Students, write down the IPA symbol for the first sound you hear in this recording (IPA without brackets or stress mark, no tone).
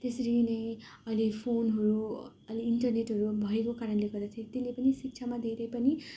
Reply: t̪